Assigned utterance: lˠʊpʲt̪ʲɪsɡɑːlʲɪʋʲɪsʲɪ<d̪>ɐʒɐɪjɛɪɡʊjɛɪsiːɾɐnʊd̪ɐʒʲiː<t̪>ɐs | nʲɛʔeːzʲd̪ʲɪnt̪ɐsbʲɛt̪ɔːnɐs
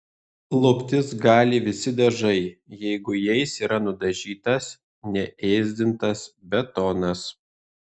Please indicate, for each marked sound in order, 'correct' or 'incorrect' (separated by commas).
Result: correct, correct